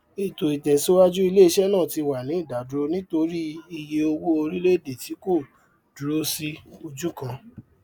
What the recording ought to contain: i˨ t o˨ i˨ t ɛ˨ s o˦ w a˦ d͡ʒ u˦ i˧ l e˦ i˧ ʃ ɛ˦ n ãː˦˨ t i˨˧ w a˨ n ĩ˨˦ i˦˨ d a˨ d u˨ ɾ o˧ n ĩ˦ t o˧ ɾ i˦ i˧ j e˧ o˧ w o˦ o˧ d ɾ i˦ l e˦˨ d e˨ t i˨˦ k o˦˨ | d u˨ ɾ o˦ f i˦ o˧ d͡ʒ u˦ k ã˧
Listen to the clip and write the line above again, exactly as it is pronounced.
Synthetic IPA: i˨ t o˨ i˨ t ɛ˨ s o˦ w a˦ d͡ʒ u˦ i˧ l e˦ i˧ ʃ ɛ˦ n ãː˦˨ t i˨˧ w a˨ n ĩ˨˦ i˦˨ d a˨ d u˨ ɾ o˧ n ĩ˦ t o˧ ɾ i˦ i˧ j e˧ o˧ w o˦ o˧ ɾ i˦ l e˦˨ d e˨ t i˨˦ k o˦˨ | d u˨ ɾ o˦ s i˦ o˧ d͡ʒ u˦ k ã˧